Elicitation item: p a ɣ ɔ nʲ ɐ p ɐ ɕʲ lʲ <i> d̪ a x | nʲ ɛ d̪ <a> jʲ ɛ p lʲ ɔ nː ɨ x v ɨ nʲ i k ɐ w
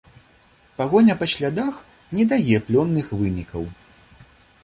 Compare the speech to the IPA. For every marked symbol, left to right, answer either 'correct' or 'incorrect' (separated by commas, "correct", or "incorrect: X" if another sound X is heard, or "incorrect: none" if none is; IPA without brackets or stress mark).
incorrect: a, correct